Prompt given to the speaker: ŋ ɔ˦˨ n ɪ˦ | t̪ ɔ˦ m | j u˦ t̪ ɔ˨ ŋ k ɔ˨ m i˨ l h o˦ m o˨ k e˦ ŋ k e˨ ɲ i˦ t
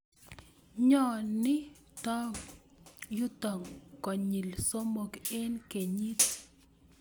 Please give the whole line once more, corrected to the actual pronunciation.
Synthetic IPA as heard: ɲ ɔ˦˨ n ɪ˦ | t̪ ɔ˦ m | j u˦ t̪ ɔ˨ ŋ k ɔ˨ ɲ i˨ l s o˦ m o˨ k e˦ n k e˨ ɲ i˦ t